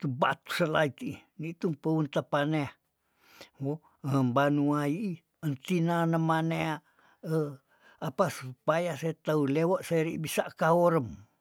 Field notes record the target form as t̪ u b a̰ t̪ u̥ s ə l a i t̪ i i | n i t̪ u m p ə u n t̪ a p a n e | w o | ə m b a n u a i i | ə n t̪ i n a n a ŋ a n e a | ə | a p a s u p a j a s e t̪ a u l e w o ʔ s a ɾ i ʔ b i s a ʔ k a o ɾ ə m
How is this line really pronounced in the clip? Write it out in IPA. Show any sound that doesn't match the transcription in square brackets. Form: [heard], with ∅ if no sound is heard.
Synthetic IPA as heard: t̪ u b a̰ t̪ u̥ s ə l a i t̪ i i | n i t̪ u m p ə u n t̪ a p a n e | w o | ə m b a n u a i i | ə n t̪ i n a n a [m] a n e a | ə | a p a s u p a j a s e t̪ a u l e w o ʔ s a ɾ i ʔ b i s a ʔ k a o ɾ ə m